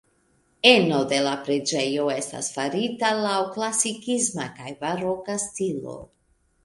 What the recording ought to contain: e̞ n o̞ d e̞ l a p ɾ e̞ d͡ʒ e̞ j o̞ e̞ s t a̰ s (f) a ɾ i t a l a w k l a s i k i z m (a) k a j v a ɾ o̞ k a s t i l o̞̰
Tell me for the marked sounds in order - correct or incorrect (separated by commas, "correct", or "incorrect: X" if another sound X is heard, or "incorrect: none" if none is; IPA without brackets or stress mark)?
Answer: correct, correct